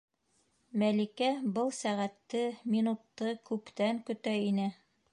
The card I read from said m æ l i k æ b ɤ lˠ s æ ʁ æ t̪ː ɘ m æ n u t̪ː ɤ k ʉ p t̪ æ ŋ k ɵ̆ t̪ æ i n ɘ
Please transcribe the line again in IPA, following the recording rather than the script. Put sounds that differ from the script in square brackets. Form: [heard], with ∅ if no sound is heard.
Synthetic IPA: m æ l i k æ b ɤ lˠ s æ ʁ æ t̪ː ɘ m [i] n u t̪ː ɤ k ʉ p t̪ æ ŋ k ɵ̆ t̪ æ i n ɘ